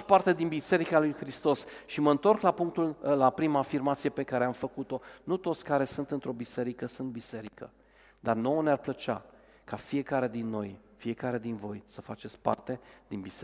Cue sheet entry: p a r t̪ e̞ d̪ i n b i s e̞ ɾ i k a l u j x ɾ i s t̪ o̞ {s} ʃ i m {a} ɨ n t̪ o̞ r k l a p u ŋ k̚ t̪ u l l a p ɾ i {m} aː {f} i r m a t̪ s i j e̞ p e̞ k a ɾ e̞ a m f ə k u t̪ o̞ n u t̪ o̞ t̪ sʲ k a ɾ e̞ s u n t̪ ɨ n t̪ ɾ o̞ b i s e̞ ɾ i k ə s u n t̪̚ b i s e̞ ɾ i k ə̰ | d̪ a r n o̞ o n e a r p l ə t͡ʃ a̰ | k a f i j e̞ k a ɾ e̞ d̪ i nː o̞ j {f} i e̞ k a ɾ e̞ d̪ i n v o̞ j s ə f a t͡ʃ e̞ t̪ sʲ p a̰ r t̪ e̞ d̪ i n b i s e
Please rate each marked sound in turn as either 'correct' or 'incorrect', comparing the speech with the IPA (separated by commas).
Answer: correct, incorrect, correct, correct, correct